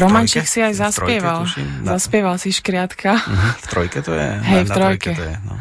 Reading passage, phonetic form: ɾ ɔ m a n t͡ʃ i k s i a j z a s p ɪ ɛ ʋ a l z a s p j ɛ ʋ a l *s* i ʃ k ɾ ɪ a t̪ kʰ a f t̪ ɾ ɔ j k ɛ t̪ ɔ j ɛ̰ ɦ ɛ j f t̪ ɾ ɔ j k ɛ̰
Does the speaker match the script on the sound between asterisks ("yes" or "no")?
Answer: yes